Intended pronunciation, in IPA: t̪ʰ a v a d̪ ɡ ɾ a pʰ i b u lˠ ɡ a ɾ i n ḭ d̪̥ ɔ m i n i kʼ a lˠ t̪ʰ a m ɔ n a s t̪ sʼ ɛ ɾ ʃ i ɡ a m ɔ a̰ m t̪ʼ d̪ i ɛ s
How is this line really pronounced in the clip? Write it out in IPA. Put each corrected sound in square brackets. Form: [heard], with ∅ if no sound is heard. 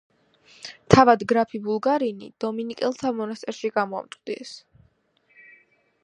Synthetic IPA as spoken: t̪ʰ a v a d̪ ɡ ɾ a pʰ i b u lˠ ɡ a ɾ i n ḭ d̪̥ ɔ m i n i kʼ [ɛ] lˠ t̪ʰ a m ɔ n a s t̪ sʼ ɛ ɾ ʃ i ɡ a m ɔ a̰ m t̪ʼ d̪ i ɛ s